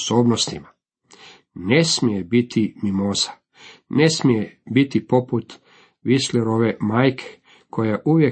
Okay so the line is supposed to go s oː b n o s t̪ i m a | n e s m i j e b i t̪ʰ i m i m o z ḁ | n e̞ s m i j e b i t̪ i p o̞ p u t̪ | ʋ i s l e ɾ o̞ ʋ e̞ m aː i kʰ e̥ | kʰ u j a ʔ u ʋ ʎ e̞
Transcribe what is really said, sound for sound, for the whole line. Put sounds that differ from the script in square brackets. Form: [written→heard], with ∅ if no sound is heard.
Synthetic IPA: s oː b n o s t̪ i m a | n e s m i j e b i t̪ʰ i m i m o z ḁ | n e̞ s m i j e b i t̪ i p o̞ p u t̪ | ʋ i s l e ɾ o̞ ʋ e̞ m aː [i→j] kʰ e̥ | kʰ [u→o] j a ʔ u ʋ [ʎ→j] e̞